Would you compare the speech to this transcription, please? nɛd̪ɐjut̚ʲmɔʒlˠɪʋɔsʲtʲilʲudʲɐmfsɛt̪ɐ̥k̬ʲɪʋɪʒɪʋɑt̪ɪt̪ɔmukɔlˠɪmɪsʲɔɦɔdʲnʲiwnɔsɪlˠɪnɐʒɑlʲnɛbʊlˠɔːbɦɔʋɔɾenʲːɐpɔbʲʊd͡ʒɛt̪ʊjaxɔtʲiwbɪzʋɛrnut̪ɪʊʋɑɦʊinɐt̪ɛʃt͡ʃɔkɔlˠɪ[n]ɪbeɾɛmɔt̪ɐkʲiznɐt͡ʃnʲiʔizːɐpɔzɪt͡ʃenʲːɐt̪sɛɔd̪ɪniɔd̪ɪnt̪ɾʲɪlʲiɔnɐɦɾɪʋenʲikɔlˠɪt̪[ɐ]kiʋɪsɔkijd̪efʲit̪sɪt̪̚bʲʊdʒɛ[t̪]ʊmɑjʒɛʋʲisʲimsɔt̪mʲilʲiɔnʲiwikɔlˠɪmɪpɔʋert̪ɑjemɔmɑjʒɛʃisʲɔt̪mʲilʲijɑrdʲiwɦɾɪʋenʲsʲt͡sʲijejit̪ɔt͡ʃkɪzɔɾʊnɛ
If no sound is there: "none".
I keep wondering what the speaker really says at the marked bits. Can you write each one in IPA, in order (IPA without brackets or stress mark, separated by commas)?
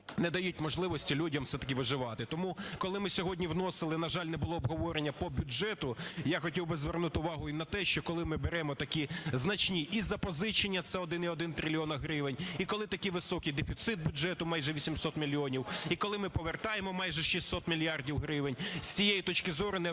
m, ɐ, t̪